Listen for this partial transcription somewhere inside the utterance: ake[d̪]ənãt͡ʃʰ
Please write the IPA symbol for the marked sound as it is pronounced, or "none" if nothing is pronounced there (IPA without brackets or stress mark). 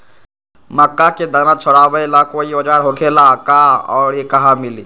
d̪